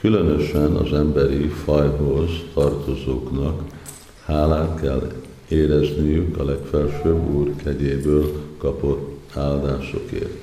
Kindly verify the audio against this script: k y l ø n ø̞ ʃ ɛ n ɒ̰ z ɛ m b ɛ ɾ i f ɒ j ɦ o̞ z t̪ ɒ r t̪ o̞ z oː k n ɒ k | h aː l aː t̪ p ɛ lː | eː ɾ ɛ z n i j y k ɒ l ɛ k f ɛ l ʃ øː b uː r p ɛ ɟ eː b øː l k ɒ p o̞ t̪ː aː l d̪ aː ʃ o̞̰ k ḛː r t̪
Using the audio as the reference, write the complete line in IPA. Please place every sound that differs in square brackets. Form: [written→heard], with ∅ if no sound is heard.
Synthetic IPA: k y l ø n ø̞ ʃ ɛ n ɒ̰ z ɛ m b ɛ ɾ i f ɒ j ɦ o̞ z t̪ ɒ r t̪ o̞ z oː k n ɒ k | h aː l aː t̪ [p→k] ɛ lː | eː ɾ ɛ z n i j y k ɒ l ɛ k f ɛ l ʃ øː b uː r [p→k] ɛ ɟ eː b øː l k ɒ p o̞ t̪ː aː l d̪ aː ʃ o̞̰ k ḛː r t̪